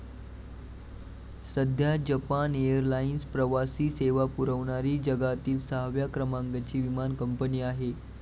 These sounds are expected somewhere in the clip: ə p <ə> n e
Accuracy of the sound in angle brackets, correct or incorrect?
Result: incorrect